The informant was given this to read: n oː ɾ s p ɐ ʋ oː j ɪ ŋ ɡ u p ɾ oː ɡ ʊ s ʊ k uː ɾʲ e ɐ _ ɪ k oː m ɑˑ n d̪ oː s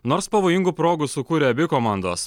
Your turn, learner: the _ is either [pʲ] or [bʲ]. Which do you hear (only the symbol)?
bʲ